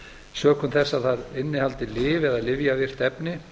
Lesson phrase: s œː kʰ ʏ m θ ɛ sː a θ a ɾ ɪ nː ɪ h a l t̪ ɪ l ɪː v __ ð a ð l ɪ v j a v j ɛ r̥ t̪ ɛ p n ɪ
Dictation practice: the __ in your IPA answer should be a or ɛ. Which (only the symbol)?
ɛ